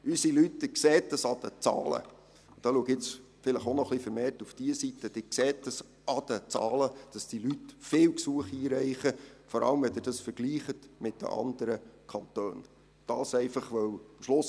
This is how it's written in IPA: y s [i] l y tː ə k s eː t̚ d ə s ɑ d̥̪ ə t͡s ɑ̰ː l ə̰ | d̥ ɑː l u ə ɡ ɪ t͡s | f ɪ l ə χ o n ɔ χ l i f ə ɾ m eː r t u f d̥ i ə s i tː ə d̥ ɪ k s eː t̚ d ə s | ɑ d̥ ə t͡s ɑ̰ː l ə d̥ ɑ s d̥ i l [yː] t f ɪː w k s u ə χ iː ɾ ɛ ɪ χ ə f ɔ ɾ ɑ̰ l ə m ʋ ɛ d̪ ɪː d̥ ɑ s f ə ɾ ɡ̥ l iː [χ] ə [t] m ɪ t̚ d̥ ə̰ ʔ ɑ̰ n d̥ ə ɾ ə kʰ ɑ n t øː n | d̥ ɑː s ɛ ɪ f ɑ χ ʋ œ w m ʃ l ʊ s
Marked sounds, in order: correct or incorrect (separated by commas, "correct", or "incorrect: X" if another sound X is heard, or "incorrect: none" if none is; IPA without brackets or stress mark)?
correct, incorrect: y, correct, correct